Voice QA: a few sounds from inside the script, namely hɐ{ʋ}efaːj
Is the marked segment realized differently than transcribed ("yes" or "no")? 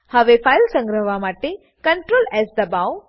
no